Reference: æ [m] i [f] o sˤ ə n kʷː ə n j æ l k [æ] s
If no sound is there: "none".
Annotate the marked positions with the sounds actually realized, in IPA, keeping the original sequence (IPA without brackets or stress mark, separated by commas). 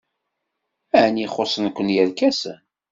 n, χ, æ